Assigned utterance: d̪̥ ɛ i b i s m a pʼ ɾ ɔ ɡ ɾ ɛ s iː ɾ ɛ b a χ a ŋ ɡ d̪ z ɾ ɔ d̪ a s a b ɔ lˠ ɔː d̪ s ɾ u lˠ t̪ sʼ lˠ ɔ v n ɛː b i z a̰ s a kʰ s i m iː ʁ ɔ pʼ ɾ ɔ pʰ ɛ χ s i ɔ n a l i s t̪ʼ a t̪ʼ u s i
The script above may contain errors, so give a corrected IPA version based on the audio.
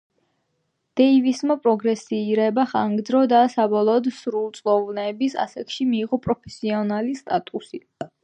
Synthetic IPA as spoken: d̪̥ ɛ i v i s m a pʼ ɾ ɔ ɡ ɾ ɛ s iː ɾ ɛ b a χ a ŋ ɡ d̪ z ɾ ɔ d̪ a s a b ɔ lˠ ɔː d̪ s ɾ u lˠ t̪ sʼ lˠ ɔ v n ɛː b i s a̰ s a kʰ ʃ i m iː ʁ ɔ pʼ ɾ ɔ pʰ ɛ s i ɔ n a l i s t̪ʼ a t̪ʼ u s i